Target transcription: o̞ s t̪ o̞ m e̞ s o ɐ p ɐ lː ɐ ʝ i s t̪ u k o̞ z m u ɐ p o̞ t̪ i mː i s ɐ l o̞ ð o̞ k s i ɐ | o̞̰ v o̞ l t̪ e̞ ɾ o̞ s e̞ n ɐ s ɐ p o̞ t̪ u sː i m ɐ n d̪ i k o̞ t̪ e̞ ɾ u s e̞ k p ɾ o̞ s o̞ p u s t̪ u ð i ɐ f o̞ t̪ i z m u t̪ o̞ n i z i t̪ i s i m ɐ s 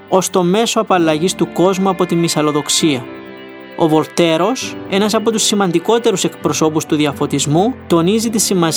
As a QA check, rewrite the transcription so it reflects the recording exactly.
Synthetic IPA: o̞ s t̪ o̞ m e̞ s o ɐ p ɐ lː ɐ ʝ i s t̪ u k o̞ z m u ɐ p o̞ t̪ i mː i s ɐ l o̞ ð o̞ k s i ɐ | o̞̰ v o̞ l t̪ e̞ ɾ o̞ s e̞ n ɐ s ɐ p o̞ t̪ u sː i m ɐ n d̪ i k o̞ t̪ e̞ ɾ u s e̞ k p ɾ o̞ s o̞ p u s t̪ u ð i ɐ f o̞ t̪ i z m u t̪ o̞ n i z i t̪ i s i m ɐ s